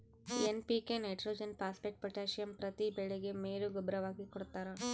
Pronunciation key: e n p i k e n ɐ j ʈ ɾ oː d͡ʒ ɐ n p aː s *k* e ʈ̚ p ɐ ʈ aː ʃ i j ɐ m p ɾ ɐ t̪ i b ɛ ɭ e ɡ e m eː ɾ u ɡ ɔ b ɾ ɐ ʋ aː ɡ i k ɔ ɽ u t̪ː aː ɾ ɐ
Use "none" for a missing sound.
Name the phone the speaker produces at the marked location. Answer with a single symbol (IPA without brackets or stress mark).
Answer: p